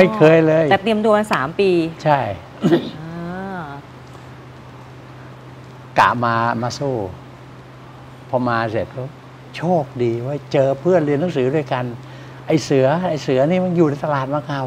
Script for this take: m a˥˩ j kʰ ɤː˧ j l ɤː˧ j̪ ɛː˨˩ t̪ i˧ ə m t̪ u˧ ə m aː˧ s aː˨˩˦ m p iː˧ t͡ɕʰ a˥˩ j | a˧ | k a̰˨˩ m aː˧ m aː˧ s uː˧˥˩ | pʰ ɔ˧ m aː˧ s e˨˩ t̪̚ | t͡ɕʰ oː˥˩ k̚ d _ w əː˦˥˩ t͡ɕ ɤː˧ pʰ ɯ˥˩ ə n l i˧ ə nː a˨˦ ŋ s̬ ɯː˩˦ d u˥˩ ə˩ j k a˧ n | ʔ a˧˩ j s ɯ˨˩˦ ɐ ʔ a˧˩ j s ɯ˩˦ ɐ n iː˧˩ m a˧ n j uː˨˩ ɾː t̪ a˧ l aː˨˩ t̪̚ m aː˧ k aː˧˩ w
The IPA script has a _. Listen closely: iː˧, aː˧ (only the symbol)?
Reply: iː˧